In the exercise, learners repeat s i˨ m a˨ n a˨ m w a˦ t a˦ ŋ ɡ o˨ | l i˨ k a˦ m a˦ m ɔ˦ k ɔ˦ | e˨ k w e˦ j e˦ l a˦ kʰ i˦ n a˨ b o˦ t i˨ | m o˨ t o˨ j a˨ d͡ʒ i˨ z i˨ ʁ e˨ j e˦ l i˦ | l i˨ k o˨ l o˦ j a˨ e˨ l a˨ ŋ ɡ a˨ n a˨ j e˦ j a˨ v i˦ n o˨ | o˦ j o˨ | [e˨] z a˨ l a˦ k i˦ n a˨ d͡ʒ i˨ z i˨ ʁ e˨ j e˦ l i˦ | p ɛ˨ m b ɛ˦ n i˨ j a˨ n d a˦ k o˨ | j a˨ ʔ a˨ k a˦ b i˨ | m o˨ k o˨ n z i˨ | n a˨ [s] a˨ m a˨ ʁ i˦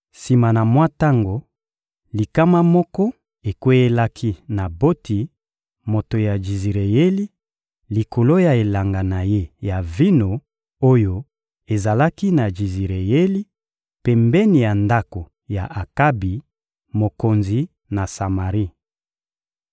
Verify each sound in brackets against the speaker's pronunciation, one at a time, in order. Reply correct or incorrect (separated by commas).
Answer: correct, correct